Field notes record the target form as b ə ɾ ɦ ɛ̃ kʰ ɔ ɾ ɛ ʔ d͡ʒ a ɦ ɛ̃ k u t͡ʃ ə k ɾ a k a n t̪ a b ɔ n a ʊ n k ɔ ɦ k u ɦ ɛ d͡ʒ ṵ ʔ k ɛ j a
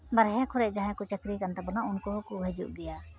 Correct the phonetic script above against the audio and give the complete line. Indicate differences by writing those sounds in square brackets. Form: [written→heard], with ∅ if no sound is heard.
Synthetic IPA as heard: b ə ɾ ɦ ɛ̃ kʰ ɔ ɾ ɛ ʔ d͡ʒ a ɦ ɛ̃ k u t͡ʃ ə k ɾ [a→i] k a n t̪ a b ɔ n a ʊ n k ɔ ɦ k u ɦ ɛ d͡ʒ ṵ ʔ [k→ɡ] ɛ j a